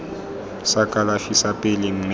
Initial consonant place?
alveolar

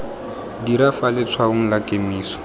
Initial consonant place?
alveolar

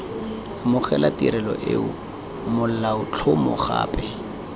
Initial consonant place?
labial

